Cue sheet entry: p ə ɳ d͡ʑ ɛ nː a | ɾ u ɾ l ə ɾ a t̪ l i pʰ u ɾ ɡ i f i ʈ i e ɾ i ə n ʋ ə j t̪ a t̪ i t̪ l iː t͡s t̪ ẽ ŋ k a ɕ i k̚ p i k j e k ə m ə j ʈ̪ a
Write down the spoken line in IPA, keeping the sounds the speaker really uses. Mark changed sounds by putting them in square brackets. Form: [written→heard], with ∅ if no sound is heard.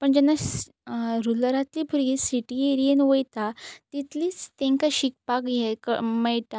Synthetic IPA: p ə ɳ d͡ʑ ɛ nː a | ɾ u [ɾ→∅] l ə ɾ a t̪ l i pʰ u ɾ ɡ i [f→s] i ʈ i e ɾ i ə n ʋ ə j t̪ a t̪ i t̪ l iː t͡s t̪ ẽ ŋ k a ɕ i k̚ p [i→a] k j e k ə m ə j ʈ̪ a